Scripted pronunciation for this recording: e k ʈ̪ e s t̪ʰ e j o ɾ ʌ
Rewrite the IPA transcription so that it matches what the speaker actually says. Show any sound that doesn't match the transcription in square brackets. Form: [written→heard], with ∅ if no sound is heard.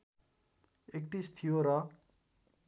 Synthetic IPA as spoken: e k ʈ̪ [e→i] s t̪ʰ [e→i] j o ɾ ʌ